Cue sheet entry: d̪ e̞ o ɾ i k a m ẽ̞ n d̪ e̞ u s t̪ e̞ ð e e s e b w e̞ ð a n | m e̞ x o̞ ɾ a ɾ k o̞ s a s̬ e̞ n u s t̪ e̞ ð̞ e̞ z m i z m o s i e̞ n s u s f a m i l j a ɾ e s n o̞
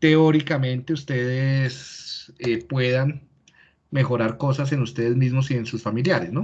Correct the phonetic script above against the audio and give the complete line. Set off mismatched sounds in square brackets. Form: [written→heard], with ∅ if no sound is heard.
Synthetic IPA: [d̪→t̪] e̞ o ɾ i k a m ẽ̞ n [d̪→t̪] e̞ u s t̪ e̞ ð e e s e [b→p] w e̞ ð a n | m e̞ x o̞ ɾ a ɾ k o̞ s a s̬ e̞ n u s t̪ e̞ ð̞ e̞ z m i z m o s i e̞ n s u s f a m i l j a ɾ e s n o̞